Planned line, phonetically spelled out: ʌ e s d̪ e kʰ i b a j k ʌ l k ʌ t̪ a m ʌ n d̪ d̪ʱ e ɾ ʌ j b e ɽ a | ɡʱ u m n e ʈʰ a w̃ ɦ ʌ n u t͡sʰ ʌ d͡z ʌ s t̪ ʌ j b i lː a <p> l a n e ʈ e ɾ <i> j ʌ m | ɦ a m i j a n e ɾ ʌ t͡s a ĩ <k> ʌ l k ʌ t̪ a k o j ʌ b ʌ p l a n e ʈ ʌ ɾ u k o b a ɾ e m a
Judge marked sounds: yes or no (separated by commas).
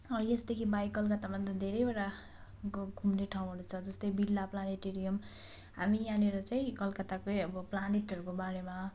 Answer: yes, yes, yes